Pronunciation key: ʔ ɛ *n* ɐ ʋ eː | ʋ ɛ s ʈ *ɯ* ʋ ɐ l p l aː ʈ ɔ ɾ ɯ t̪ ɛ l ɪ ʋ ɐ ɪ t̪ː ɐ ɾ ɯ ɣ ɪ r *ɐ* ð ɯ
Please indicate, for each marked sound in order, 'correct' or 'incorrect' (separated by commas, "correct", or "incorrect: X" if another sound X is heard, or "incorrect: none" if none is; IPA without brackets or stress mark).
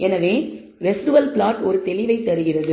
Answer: correct, correct, correct